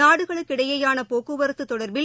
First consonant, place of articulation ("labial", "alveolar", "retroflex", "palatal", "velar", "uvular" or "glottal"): retroflex